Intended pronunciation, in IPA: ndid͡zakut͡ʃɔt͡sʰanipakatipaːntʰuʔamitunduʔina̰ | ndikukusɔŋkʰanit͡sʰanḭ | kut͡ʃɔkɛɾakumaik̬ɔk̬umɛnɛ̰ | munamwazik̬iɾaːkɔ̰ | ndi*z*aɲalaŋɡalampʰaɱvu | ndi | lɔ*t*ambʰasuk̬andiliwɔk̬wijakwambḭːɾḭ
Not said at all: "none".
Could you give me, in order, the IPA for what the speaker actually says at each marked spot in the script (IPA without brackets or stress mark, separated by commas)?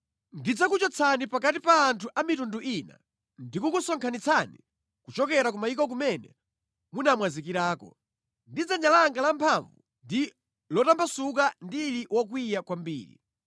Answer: d͡z, t